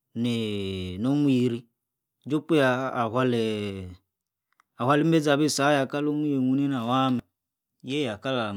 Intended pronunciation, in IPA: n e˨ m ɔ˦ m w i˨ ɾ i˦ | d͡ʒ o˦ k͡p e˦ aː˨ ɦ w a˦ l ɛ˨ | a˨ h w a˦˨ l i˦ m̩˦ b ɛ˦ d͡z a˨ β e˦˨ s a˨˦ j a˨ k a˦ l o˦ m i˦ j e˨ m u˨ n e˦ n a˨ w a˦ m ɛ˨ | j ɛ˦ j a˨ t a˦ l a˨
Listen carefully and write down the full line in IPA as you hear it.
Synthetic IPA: n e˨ n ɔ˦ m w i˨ ɾ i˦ | d͡ʒ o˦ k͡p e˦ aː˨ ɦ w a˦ l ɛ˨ | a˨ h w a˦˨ l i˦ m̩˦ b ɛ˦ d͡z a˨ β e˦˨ s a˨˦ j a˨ k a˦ l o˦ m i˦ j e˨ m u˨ n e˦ n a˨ w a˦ m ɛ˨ | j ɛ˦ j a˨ k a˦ l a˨